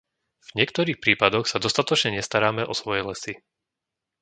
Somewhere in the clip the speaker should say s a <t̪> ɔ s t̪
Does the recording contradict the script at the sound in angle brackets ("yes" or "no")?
yes